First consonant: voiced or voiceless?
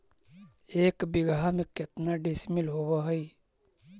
voiceless